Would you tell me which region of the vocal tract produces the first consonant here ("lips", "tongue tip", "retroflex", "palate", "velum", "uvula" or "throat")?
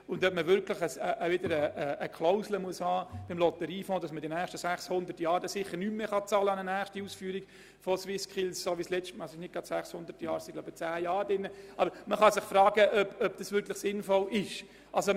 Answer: tongue tip